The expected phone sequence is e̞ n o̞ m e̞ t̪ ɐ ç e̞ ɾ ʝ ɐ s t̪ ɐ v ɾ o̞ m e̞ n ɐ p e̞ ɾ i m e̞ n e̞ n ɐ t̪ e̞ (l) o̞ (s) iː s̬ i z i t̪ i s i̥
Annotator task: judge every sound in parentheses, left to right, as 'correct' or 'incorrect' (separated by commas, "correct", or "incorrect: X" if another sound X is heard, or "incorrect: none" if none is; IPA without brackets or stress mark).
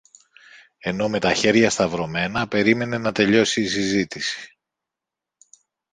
incorrect: ʎ, correct